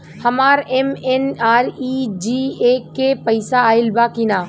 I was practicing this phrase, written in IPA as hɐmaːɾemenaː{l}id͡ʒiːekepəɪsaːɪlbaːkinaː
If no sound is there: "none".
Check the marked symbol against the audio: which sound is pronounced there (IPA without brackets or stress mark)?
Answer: ɾ